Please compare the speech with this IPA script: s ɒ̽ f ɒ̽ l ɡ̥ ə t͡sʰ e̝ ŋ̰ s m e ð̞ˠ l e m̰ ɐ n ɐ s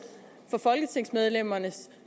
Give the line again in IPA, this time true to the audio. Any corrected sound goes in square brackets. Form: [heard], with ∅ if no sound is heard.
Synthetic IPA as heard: [f] ɒ̽ f ɒ̽ l ɡ̥ ə t͡sʰ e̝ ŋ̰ s m e ð̞ˠ l e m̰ ɐ n [ə] s